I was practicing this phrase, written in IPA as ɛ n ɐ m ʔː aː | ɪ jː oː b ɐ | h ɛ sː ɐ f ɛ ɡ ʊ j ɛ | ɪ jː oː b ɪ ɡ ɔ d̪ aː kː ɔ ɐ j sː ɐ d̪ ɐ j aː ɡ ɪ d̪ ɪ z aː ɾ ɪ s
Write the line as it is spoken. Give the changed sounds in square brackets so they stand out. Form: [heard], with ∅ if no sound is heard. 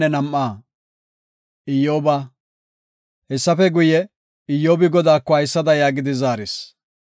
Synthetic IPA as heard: ɛ n ɐ m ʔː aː | ɪ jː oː b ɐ | h ɛ sː ɐ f ɛ ɡ ʊ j ɛ | ɪ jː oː b ɪ ɡ ɔ d̪ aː kː ɔ ɐ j sː ɐ d̪ ɐ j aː ɡ ɪ d̪ ɪ z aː ɾ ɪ s

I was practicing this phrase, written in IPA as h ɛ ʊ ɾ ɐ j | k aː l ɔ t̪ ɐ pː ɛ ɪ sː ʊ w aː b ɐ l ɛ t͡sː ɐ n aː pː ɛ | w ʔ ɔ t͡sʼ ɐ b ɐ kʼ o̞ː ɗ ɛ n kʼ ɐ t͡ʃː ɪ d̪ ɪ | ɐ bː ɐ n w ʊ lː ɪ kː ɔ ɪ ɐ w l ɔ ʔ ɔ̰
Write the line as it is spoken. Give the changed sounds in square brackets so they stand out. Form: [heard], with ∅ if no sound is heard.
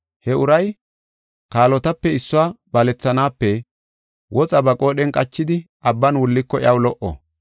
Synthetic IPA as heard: h ɛ ʊ ɾ ɐ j | k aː l ɔ t̪ ɐ pː ɛ ɪ sː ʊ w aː b ɐ l ɛ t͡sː ɐ n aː pː ɛ | w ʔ ɔ t͡sʼ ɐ b ɐ kʼ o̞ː ɗ ɛ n kʼ ɐ t͡ʃː ɪ d̪ ɪ | ɐ bː ɐ n w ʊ lː ɪ kː ɔ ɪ ɐ w l ɔ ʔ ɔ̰

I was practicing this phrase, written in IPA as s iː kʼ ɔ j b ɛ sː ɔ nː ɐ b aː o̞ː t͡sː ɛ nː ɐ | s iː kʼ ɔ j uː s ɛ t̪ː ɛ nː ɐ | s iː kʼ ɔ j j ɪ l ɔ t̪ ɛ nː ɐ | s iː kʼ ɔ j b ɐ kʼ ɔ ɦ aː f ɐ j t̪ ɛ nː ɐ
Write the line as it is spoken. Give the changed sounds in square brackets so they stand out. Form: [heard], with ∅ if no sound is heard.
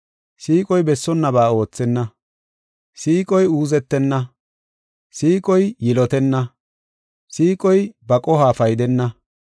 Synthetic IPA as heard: s iː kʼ ɔ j b ɛ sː ɔ nː ɐ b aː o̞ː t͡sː ɛ nː ɐ | s iː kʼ ɔ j uː [z] ɛ t̪ː ɛ nː ɐ | s iː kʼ ɔ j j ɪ l ɔ t̪ ɛ nː ɐ | s iː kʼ ɔ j b ɐ kʼ ɔ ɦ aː f ɐ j [d̪] ɛ nː ɐ

